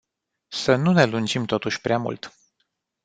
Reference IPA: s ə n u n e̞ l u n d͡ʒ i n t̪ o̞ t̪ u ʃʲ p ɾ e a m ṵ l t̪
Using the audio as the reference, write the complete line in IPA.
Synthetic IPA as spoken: s ə n u n e̞ l u n d͡ʒ i m t̪ o̞ t̪ u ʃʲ p ɾ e a m ṵ l t̪